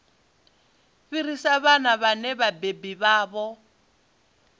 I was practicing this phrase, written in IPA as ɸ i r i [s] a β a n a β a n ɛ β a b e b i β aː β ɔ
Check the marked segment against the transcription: correct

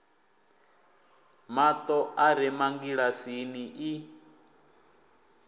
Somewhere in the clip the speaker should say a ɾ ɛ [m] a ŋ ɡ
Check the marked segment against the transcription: correct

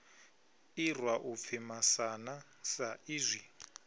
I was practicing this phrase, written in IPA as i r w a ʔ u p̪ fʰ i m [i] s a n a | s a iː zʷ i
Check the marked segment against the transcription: incorrect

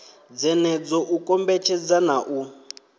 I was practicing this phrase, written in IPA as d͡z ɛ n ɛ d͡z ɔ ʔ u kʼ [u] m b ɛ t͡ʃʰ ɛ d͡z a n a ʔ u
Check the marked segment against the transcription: incorrect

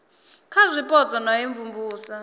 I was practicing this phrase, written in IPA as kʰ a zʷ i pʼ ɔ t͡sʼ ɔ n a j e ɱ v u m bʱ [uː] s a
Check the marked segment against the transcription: correct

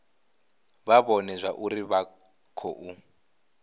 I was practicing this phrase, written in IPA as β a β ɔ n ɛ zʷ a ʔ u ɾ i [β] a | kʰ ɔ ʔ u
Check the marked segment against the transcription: correct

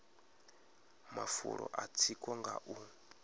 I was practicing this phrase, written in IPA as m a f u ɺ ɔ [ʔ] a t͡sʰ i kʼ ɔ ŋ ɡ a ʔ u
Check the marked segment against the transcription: correct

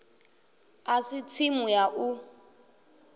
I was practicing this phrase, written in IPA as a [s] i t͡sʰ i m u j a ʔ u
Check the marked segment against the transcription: correct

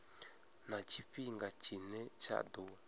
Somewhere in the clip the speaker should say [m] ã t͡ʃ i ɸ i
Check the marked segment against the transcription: incorrect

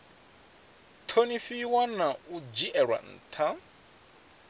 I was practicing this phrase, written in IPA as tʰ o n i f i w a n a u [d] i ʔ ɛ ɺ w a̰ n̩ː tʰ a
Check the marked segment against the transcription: incorrect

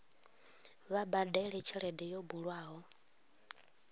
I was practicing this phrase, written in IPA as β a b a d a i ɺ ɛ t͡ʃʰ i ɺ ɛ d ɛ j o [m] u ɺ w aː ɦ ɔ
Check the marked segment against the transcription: incorrect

